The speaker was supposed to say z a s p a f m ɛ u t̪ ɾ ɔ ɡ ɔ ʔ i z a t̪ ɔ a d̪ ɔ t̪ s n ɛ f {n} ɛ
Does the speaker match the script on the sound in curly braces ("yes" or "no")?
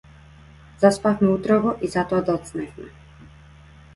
no